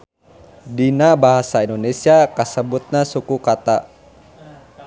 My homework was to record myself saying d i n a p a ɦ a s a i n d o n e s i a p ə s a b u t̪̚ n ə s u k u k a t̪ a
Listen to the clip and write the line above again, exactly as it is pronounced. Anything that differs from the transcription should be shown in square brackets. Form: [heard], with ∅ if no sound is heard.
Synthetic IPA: d i n a [b] a ɦ a s a i n d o n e s i a [k] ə s [ə] b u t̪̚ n [a] s u k u k a t̪ a